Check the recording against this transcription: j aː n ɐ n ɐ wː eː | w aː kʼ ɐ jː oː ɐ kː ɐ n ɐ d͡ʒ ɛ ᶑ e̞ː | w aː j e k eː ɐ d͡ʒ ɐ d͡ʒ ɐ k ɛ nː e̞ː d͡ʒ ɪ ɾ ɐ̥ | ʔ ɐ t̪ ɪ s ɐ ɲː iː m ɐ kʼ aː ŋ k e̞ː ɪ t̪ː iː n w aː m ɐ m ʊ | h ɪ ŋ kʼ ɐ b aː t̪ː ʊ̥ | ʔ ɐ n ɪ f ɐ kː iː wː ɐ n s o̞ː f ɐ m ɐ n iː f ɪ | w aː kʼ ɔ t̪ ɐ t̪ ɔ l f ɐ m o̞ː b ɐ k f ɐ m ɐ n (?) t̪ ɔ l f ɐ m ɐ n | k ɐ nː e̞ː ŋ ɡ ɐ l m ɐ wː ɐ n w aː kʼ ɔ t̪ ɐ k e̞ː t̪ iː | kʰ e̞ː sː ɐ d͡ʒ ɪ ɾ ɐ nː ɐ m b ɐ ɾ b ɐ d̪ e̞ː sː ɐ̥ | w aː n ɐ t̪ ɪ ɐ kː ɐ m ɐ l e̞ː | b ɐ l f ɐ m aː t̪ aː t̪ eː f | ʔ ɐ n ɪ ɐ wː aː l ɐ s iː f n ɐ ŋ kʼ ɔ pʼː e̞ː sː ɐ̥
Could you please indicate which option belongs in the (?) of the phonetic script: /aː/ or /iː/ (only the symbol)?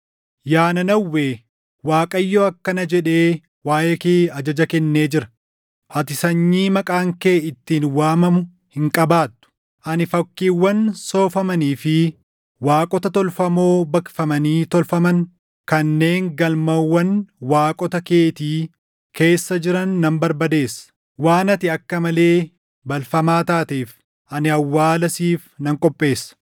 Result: iː